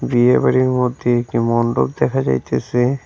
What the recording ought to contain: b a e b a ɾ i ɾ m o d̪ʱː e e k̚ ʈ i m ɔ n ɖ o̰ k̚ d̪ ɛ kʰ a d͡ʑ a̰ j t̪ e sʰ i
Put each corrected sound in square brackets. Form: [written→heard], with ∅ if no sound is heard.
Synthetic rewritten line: b [a→i] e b a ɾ i ɾ m o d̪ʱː e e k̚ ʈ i m ɔ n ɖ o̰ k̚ d̪ ɛ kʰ a d͡ʑ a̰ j t̪ e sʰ [i→e]